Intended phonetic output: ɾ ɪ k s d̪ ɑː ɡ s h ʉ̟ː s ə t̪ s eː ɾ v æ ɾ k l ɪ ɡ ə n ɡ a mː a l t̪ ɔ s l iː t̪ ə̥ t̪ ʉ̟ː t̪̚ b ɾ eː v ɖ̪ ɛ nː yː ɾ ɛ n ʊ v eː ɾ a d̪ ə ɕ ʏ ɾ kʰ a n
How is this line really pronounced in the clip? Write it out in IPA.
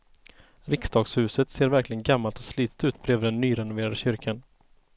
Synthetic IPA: ɾ ɪ k s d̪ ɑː ɡ s h ʉ̟ː s ə t̪ s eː ɾ v æ ɾ k l ɪ ɡ ə n ɡ a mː a l t̪ ɔ s l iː t̪ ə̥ t̪ ʉ̟ː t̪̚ b ɾ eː v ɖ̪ ɛ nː yː ɾ ɛ n ʊ v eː ɾ a d̪ ə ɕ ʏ ɾ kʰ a n